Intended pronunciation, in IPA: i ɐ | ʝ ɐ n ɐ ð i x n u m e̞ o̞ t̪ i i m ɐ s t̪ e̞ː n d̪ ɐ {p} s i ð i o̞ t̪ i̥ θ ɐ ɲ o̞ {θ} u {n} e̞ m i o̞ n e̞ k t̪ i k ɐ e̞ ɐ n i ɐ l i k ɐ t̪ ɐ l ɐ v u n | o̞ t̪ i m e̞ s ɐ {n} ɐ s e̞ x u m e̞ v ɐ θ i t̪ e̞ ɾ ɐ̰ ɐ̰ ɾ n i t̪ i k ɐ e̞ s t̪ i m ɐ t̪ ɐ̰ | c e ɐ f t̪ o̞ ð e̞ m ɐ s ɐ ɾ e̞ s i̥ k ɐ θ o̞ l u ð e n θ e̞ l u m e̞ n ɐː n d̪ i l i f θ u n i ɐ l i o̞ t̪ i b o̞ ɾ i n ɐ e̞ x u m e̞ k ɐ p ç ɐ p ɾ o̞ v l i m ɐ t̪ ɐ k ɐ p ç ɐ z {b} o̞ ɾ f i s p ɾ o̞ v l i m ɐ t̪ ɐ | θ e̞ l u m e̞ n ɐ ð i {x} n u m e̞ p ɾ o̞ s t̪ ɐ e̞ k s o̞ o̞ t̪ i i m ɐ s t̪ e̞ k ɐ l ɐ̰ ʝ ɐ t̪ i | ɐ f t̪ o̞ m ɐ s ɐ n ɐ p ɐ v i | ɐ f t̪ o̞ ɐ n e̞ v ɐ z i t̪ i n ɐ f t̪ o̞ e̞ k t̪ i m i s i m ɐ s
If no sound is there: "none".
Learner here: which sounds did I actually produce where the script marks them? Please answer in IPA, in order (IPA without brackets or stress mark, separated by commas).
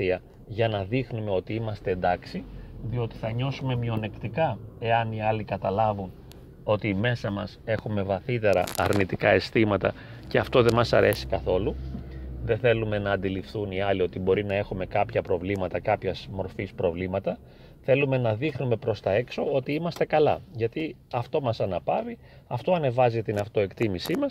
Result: k, s, m, m, m, x